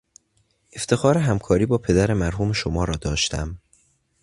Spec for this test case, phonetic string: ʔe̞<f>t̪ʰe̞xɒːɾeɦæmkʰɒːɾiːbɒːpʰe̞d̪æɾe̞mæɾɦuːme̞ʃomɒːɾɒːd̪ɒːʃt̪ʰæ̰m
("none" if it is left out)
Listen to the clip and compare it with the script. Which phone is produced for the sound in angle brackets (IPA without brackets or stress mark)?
f